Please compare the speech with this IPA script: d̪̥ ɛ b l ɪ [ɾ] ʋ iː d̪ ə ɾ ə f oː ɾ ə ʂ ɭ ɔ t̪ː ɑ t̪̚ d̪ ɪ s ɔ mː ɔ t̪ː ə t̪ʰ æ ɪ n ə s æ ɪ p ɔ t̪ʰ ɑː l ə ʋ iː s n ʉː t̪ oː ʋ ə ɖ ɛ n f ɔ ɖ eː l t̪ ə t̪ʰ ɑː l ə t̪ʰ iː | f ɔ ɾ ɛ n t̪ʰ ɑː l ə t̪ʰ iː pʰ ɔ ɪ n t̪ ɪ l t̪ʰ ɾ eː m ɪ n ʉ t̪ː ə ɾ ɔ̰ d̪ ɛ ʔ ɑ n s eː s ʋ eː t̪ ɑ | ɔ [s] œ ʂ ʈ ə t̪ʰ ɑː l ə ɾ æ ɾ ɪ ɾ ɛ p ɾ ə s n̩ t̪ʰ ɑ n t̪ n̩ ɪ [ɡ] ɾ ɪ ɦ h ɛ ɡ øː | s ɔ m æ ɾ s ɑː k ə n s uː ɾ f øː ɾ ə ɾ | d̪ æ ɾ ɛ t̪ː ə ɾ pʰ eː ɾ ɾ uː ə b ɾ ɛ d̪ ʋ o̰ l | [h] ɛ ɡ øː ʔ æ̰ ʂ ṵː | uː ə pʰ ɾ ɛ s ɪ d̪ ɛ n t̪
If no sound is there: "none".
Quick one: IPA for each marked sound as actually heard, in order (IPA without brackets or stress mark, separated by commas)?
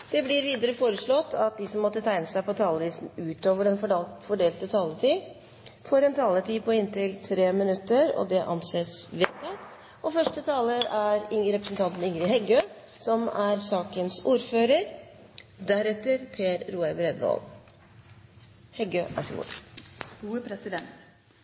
ɾ, f, ŋ, h